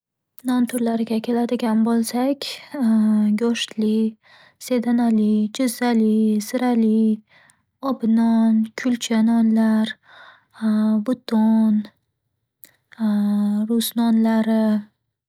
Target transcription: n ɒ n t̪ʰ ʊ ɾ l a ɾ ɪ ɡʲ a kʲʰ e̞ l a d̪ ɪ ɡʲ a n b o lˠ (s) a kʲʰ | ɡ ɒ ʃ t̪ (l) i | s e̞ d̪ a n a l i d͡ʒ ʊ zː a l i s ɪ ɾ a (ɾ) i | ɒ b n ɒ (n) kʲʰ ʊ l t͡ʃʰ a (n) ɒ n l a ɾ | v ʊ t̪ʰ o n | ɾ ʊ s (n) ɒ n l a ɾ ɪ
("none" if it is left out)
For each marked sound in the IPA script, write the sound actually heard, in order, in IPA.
s, l, l, n, n, n

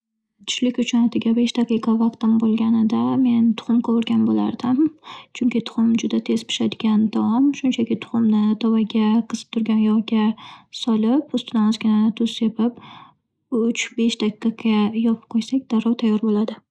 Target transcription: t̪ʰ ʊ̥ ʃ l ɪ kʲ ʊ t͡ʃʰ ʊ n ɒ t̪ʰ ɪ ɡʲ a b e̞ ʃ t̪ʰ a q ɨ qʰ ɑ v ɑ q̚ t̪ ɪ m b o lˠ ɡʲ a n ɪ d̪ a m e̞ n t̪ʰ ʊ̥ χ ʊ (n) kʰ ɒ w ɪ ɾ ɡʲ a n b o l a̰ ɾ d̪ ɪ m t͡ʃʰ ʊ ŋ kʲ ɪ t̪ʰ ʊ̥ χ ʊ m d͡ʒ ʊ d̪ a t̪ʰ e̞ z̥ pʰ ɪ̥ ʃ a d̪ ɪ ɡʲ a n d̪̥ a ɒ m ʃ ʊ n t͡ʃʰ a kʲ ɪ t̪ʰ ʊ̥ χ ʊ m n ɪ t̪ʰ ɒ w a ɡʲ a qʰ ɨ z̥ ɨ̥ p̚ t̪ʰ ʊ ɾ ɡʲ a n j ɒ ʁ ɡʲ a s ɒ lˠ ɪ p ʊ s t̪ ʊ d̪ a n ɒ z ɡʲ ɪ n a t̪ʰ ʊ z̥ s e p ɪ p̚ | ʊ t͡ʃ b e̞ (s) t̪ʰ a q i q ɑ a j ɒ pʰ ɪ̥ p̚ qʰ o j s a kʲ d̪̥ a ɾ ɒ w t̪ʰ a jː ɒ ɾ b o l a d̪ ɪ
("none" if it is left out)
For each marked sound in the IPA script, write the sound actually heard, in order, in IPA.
m, ʃ

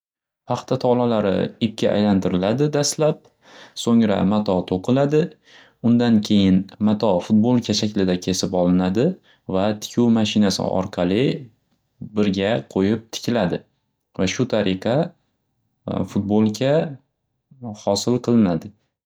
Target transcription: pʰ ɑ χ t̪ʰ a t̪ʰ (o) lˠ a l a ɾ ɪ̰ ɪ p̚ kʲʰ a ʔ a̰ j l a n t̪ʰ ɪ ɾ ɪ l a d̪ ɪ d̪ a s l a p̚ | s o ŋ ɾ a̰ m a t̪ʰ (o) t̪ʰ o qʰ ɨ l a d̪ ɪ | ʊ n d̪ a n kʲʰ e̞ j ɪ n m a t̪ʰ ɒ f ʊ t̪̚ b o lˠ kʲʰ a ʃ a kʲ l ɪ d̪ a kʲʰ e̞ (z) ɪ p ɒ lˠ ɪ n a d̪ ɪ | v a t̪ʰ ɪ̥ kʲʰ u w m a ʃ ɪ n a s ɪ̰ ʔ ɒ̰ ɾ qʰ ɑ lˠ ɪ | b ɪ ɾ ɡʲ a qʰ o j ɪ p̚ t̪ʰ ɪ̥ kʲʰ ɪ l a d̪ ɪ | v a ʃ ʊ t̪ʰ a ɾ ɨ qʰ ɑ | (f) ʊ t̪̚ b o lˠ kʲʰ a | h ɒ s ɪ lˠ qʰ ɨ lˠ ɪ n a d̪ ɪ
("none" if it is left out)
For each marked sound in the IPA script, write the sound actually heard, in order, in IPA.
ɒ, ɒ, s, f

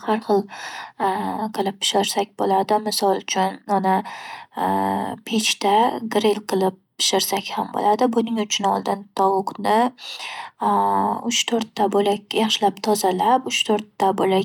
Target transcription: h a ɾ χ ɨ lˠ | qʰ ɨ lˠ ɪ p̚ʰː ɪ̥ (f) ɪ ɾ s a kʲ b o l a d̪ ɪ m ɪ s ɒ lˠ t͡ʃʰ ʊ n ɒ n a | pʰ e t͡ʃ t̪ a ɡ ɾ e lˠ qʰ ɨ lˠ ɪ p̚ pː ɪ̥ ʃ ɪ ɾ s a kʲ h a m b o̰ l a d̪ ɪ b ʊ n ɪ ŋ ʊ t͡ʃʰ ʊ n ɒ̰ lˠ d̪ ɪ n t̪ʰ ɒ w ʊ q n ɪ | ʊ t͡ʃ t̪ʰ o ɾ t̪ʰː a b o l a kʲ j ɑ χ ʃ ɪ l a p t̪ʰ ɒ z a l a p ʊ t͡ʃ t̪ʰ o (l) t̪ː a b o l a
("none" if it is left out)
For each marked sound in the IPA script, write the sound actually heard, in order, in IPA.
ʃ, ɾ

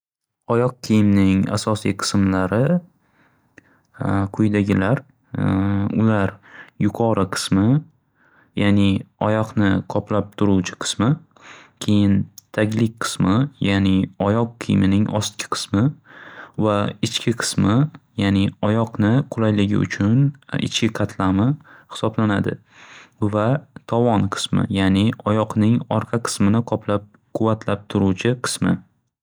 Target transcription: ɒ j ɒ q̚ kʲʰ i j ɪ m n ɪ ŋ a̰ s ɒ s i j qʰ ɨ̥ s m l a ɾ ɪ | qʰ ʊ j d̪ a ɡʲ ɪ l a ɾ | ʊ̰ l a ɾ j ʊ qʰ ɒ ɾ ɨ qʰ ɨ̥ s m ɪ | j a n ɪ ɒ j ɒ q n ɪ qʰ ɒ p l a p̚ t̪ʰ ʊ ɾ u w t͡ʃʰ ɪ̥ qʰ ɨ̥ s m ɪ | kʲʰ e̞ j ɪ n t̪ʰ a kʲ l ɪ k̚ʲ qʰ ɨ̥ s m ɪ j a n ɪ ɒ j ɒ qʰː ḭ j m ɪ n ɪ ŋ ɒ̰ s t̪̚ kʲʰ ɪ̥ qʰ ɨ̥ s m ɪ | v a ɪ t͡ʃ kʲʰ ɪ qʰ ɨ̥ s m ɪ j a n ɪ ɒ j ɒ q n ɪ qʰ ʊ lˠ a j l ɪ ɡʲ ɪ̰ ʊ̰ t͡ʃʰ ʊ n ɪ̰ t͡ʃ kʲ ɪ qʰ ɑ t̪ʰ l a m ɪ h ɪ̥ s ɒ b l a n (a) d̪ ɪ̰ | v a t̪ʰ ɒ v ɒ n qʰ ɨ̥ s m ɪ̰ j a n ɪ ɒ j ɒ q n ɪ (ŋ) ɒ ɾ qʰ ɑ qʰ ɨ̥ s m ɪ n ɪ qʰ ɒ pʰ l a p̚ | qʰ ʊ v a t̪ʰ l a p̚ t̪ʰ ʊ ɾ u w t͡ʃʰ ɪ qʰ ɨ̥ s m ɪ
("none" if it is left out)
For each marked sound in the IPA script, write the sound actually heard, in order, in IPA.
a, ŋ

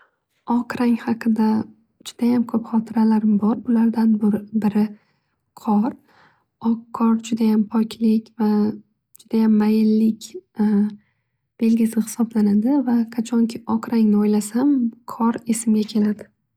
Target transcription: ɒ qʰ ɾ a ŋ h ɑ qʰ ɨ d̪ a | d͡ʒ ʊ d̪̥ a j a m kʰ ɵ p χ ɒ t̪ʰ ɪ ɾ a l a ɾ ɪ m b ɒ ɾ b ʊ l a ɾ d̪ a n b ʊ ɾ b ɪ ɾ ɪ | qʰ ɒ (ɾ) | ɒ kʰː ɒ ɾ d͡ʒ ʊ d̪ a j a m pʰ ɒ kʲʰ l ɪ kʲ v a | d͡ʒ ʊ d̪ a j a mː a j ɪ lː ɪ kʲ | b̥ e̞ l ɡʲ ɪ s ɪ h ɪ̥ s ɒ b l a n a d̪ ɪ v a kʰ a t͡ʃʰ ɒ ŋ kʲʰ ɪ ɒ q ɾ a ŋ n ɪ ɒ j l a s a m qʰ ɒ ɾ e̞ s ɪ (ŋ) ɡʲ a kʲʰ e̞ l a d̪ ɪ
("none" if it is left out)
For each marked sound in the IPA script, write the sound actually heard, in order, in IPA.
ɾ, m

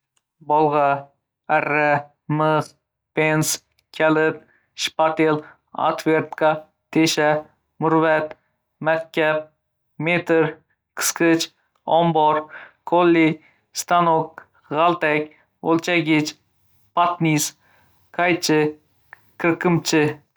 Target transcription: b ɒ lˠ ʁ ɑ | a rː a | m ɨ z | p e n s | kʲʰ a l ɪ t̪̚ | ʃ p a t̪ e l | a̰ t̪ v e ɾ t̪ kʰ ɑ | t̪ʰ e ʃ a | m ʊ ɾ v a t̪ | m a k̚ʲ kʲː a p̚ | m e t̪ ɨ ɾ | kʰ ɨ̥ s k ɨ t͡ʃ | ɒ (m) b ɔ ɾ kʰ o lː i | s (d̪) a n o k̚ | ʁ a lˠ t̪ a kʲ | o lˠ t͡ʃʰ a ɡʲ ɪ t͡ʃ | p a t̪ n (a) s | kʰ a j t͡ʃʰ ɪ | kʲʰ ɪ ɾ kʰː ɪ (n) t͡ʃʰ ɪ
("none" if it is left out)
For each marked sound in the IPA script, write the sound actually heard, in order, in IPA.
m, t̪, i, m

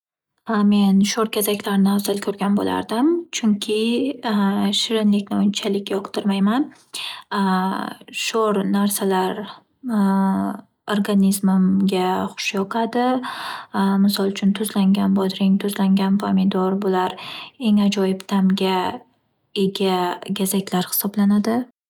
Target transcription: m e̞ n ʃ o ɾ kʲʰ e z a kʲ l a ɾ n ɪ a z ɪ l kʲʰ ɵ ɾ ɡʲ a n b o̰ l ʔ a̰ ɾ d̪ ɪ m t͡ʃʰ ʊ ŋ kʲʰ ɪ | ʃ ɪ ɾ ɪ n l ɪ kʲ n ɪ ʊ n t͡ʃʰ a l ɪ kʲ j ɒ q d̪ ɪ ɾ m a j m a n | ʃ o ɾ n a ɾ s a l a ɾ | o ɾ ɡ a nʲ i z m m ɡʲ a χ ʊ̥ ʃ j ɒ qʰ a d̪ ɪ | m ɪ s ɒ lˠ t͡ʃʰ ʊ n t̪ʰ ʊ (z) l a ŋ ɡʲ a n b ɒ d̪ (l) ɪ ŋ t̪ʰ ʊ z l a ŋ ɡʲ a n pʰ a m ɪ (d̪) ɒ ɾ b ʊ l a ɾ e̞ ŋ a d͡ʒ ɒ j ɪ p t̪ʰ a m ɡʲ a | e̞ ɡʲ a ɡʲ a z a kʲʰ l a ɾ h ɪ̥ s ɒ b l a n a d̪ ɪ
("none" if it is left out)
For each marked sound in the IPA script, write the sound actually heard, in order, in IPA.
z, ɾ, d̪

